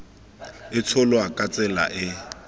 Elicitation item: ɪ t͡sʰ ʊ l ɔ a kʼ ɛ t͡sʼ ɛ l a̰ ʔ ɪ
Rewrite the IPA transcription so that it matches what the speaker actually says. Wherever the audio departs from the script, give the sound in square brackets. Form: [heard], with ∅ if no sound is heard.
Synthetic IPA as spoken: ɪ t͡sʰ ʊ l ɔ a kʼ [a] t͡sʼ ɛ l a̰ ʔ ɪ